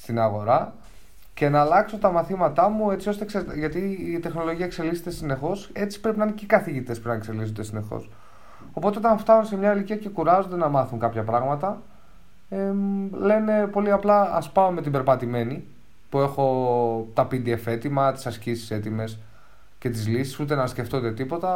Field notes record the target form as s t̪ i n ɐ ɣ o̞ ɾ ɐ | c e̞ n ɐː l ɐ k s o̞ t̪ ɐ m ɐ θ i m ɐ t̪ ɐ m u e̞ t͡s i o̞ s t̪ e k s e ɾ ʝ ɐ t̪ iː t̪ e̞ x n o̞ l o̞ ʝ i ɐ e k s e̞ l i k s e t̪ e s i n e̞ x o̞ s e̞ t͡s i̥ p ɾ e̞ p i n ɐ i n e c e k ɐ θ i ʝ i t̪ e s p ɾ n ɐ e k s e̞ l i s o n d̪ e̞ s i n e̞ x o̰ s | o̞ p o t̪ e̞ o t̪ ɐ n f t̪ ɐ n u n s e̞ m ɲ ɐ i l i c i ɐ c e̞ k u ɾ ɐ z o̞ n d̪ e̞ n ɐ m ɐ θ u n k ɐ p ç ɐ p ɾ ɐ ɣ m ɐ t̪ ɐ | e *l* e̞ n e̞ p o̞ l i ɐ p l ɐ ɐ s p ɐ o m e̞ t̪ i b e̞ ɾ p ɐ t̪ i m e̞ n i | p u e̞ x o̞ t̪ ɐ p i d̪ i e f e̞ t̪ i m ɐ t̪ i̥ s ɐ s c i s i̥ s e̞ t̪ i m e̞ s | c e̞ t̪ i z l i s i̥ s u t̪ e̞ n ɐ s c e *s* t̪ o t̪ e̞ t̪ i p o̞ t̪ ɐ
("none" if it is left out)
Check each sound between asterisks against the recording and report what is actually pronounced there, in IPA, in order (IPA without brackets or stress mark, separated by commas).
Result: l, f